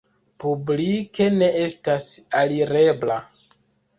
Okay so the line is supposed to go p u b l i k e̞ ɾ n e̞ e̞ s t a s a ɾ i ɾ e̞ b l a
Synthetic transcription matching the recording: p u b l i k e̞ n e̞ e̞ s t a s a l i ɾ e̞ b l a